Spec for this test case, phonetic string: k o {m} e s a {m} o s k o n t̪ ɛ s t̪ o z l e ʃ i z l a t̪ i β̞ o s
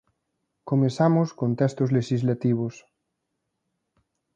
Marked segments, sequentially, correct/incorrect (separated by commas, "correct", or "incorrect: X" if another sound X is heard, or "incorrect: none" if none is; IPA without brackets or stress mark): correct, correct